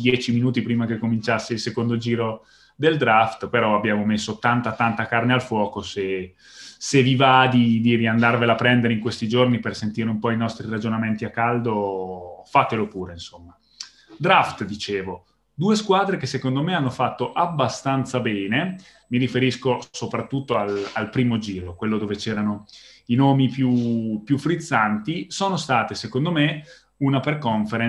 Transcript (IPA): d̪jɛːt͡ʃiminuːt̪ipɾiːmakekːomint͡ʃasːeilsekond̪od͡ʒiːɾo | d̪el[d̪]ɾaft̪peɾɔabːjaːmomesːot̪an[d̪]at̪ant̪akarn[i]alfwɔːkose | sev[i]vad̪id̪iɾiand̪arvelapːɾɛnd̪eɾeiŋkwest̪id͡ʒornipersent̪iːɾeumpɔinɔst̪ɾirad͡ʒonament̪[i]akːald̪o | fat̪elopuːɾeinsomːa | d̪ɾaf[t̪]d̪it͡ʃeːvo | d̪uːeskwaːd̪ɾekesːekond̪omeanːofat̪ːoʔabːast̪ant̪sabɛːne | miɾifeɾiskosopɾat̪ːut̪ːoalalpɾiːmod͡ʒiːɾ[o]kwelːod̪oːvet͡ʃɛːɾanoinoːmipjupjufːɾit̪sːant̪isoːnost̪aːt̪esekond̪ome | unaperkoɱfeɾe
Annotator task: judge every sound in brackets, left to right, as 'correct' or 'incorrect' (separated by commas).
correct, incorrect, incorrect, correct, correct, correct, correct